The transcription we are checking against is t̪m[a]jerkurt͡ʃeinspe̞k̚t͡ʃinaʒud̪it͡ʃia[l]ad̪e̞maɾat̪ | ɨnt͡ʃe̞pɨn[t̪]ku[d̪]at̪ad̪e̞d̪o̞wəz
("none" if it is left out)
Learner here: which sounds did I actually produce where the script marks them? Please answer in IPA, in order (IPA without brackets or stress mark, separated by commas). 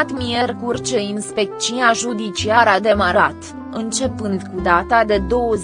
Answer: i, ɾ, d̪, d̪